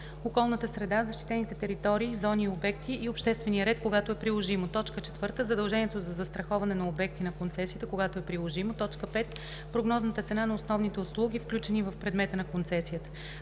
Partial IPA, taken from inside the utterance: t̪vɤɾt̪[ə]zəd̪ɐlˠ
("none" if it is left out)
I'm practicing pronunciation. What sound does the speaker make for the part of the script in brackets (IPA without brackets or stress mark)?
ə